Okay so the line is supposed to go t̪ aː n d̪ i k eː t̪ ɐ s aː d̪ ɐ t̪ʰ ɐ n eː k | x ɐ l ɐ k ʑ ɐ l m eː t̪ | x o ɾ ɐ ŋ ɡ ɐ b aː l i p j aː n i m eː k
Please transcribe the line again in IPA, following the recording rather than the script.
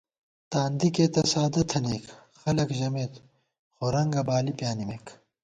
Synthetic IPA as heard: t̪ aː n d̪ i k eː t̪ ɐ s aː d̪ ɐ t̪ʰ ɐ n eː k | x ɐ l ɐ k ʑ ɐ m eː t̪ | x o ɾ ɐ ŋ ɡ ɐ b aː l i p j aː n i m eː k